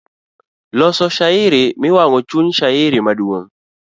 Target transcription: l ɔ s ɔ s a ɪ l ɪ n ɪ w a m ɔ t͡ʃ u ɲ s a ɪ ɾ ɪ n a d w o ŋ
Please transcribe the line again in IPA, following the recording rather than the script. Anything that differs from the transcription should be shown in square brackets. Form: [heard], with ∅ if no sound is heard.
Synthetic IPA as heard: l ɔ s ɔ [ʃ] a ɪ [ɾ] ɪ [m] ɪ w a [ŋ] ɔ t͡ʃ u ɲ [ʃ] a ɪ ɾ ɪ [m] a d w o ŋ